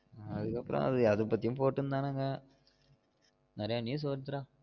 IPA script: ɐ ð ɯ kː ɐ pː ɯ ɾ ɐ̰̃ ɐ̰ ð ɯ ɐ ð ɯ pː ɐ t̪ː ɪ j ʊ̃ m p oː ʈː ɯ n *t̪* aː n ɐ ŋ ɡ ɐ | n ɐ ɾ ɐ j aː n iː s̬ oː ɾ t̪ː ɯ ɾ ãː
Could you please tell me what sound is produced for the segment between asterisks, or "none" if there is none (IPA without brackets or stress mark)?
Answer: d̪